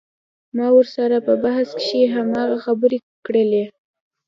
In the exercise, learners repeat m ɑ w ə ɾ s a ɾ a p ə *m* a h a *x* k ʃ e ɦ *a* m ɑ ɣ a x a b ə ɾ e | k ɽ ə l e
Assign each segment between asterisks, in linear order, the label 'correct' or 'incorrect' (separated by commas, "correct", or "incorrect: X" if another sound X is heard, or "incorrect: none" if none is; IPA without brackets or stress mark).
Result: incorrect: b, incorrect: s, correct